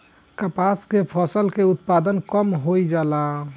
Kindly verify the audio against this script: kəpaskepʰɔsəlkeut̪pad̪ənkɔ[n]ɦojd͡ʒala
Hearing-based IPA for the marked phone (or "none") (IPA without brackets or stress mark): m